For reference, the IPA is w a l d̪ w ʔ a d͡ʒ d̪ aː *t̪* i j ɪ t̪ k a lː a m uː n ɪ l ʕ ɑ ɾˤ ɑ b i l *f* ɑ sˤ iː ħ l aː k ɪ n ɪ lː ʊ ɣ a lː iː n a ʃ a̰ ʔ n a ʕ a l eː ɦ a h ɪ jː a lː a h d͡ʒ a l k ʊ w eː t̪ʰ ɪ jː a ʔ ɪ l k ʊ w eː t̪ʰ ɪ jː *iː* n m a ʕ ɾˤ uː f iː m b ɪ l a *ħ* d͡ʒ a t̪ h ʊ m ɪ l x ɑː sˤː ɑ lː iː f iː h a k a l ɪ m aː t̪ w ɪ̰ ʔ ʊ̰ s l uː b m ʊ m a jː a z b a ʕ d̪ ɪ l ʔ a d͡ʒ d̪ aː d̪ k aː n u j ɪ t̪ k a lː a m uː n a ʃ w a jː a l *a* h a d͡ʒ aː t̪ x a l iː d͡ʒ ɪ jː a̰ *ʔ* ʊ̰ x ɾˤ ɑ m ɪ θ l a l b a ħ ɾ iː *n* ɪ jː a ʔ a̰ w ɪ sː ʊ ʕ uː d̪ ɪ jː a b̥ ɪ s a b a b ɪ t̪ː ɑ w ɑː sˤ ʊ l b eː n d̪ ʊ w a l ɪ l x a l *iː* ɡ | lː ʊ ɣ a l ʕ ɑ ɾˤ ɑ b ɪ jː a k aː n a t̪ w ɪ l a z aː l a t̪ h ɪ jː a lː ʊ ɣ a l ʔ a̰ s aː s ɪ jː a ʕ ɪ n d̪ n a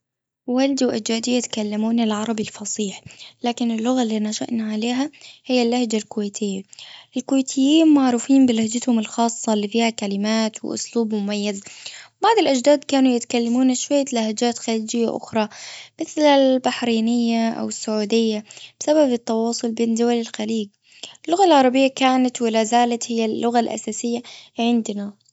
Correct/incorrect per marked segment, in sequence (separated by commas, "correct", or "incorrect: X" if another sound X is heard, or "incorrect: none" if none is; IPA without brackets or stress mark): incorrect: d̪, correct, correct, incorrect: h, correct, correct, correct, correct